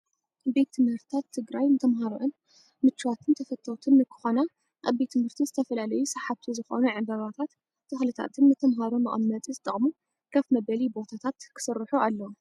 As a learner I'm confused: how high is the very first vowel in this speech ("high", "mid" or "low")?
mid